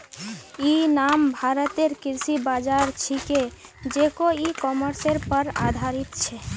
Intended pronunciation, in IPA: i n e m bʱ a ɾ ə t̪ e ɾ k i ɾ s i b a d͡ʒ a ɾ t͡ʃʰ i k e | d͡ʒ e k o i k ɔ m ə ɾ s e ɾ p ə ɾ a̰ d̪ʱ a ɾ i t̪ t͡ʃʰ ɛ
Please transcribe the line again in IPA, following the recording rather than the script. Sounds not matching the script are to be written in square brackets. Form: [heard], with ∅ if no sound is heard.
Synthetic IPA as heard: i n [a] m bʱ a ɾ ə t̪ e ɾ k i ɾ s i b a d͡ʒ a ɾ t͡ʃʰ i k e | d͡ʒ e k o i k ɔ m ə ɾ s e ɾ p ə ɾ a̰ d̪ʱ a ɾ i t̪ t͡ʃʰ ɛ